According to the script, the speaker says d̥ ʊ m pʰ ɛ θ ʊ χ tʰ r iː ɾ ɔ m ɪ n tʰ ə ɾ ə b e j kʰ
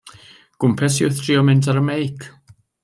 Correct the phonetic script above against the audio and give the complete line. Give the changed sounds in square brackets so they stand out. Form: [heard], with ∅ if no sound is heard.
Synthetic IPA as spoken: [ɡ̥] ʊ m pʰ ɛ [s] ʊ [θ] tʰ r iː [∅] ɔ m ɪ n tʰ [a] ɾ ə [m] e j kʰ

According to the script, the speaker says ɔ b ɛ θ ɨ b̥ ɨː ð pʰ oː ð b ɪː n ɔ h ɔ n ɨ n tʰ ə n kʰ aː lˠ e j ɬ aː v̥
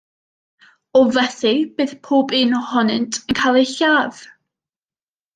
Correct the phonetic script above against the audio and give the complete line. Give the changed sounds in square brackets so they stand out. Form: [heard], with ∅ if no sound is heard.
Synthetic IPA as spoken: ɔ [v] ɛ θ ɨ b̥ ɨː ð pʰ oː [∅] b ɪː n ɔ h ɔ n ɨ n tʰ ə n kʰ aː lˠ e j ɬ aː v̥

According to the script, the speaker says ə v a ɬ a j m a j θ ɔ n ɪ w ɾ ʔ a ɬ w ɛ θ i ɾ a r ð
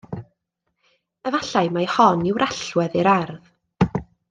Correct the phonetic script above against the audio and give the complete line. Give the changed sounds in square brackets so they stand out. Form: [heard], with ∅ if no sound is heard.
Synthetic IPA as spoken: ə v a ɬ a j m a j [h] ɔ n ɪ w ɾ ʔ a ɬ w ɛ [ð] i ɾ a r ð

